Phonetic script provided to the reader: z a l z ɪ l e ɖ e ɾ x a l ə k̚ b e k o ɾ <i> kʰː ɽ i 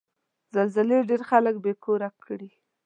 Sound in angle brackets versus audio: incorrect: a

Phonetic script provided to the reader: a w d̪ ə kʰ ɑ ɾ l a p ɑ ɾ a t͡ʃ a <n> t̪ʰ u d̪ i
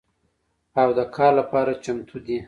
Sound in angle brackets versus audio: incorrect: m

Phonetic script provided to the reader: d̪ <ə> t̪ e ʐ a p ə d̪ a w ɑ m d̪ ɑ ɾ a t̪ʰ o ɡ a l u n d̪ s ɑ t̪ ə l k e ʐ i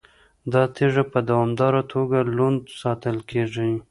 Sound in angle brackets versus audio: incorrect: ɑ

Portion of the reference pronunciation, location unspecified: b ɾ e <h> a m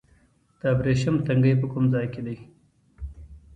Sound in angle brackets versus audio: incorrect: ʃ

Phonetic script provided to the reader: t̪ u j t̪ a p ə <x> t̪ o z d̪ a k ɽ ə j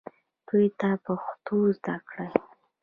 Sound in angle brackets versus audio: correct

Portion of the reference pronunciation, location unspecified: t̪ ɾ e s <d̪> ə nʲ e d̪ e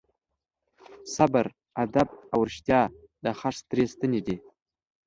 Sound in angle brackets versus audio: incorrect: t̪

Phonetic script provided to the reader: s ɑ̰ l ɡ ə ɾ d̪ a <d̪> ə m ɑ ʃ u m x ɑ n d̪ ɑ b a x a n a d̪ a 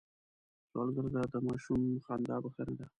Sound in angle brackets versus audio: correct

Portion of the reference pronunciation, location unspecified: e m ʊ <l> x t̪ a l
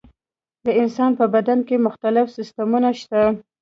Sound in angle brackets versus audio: incorrect: none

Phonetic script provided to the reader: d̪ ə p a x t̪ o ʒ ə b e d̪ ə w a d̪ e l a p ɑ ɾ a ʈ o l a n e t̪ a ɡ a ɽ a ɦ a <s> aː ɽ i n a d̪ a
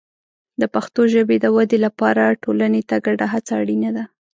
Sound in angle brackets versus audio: incorrect: t͡s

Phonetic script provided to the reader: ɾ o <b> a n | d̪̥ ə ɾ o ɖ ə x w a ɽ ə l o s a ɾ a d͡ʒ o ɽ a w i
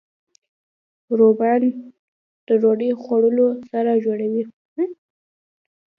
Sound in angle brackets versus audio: correct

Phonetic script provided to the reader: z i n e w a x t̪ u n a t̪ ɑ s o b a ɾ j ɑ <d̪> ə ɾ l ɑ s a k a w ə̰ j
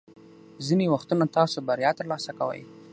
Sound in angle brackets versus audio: incorrect: t̪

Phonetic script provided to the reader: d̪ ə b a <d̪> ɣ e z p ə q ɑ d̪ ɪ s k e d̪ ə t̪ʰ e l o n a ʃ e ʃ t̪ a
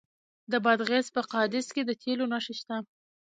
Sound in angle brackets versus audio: correct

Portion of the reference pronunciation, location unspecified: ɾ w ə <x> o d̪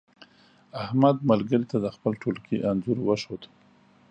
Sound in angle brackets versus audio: incorrect: ʃ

